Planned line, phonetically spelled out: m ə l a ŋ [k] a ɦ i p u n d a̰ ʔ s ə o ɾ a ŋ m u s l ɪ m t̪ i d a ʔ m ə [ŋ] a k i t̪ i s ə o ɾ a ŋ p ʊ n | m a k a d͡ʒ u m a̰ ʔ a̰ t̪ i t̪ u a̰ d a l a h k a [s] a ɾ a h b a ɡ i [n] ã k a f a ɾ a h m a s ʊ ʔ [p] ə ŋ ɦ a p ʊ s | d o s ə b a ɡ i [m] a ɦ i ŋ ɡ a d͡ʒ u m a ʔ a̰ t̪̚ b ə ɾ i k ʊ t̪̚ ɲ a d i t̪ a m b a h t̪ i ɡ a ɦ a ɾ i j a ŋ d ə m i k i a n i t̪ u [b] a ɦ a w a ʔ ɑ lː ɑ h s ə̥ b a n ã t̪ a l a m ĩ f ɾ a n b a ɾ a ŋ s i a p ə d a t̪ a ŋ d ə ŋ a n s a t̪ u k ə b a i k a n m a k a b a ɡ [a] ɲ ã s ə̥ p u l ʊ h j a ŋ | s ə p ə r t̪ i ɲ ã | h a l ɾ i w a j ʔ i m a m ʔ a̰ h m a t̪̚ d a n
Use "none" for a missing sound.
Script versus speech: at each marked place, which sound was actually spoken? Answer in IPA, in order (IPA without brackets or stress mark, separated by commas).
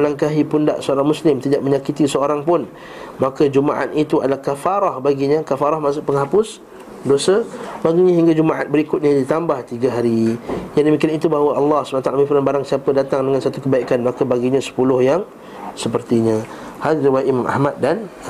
k, ɲ, f, ɲ, p, ɲ, b, i